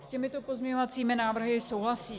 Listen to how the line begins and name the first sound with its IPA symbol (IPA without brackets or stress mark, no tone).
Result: s